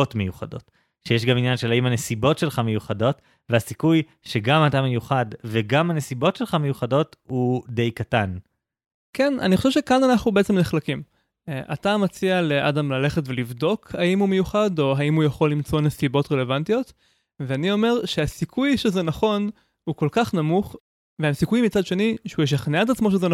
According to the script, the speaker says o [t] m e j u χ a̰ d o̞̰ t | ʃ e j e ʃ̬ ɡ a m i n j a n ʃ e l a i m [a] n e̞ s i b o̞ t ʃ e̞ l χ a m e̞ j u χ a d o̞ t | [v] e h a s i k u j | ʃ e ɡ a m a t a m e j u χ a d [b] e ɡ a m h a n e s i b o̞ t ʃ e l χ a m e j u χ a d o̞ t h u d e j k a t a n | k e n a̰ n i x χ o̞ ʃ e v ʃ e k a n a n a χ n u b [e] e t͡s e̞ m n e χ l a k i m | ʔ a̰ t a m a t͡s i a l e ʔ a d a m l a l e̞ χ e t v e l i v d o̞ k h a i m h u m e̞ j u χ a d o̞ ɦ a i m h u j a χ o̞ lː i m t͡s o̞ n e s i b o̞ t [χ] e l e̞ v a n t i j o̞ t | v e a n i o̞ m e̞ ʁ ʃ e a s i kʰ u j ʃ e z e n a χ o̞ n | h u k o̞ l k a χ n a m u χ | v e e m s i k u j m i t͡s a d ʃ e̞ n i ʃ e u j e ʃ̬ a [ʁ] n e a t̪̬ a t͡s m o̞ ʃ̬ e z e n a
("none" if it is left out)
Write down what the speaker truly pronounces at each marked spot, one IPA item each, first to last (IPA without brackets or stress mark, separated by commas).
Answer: t, a, v, v, e, ʁ, χ